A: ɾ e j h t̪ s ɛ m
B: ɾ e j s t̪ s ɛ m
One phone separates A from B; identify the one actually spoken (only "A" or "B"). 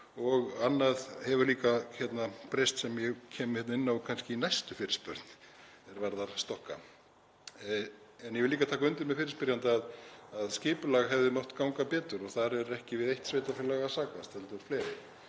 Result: B